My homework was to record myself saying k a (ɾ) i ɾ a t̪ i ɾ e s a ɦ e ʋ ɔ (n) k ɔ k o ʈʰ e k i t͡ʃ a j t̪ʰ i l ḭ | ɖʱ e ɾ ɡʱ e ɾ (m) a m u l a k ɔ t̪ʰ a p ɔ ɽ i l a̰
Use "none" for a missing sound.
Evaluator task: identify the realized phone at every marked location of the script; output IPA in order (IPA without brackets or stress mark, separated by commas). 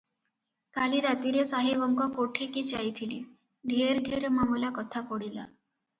l, ŋ, m